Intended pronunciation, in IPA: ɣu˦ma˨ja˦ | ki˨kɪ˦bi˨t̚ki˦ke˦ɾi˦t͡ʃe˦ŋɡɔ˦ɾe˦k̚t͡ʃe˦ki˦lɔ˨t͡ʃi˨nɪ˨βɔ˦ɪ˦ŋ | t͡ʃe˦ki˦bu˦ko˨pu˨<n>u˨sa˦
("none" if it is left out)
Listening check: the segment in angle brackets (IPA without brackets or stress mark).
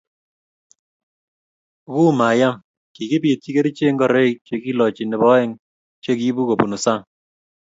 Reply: n